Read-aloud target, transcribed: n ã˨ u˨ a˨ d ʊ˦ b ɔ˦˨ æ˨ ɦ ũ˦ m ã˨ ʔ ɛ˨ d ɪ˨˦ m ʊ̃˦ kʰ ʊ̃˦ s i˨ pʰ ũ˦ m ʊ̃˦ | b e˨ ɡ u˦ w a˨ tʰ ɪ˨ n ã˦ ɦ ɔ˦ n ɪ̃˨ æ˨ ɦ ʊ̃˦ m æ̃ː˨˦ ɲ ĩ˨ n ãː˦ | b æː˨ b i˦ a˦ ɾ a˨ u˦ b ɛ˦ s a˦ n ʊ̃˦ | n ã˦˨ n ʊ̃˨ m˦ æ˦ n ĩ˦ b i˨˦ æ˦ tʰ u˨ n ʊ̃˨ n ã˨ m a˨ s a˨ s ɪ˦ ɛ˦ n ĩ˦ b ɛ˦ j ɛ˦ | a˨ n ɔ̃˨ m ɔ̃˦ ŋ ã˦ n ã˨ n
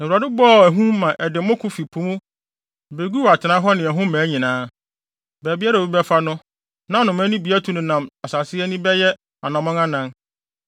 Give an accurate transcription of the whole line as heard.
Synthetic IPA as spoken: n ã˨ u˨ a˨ d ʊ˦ b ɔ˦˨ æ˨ ɦ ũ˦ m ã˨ ʔ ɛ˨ d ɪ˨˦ m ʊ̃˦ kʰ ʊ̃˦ f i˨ pʰ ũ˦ m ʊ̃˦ | b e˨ ɡ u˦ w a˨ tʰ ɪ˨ n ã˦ ɦ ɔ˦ n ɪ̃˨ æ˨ ɦ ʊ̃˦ m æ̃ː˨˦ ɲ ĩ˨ n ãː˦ | b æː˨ b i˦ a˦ ɾ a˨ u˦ b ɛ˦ f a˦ n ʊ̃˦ | n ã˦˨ n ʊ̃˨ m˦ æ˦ n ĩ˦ b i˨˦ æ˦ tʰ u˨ n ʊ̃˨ n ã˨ m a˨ s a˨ s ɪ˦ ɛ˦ n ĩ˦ b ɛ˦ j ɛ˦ | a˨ n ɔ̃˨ m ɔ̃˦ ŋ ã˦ n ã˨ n

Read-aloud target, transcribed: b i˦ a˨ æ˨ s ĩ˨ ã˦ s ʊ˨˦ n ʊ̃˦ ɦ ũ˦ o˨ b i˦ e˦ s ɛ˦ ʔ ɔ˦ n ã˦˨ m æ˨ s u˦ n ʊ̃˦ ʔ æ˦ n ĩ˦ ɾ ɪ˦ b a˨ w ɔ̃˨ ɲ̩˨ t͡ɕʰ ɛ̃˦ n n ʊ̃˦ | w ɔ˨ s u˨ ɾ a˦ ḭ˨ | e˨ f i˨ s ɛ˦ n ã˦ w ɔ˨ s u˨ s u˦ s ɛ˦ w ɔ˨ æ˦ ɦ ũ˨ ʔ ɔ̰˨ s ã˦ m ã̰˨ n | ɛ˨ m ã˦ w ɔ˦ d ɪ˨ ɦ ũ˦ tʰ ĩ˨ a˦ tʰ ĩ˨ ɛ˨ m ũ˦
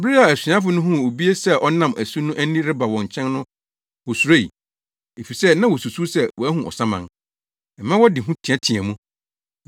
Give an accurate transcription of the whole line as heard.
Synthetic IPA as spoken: b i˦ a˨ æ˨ s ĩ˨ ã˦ f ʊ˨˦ n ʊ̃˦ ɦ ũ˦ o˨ b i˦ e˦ s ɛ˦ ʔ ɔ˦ n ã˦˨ m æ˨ s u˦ n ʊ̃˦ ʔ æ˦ n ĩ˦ ɾ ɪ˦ b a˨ w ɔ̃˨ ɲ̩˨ t͡ɕʰ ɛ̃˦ n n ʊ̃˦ | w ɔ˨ s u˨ ɾ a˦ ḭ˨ | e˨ f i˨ s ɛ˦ n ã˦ w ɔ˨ s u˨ s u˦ s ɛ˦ w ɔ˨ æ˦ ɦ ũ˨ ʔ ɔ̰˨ s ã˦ m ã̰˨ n | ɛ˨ m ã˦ w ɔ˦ d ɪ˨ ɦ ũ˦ tʰ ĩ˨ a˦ tʰ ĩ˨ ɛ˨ m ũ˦

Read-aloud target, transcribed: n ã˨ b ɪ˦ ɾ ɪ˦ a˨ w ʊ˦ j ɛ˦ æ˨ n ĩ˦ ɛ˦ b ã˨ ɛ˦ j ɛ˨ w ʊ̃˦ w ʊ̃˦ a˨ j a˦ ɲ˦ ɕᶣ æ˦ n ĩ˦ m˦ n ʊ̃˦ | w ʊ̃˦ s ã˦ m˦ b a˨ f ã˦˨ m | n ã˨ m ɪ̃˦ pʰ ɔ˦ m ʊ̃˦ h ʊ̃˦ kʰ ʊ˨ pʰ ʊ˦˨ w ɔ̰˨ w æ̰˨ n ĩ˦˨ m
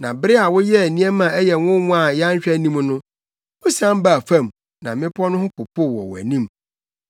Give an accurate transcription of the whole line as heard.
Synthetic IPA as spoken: n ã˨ b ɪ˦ ɾ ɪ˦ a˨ w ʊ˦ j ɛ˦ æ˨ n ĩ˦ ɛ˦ m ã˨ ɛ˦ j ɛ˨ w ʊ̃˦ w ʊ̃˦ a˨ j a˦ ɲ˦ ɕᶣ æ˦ n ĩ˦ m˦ n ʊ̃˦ | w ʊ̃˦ s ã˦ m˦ b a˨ f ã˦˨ m | n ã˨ m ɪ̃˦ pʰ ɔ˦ n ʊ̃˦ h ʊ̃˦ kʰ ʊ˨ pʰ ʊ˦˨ w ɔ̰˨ w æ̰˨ n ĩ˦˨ m

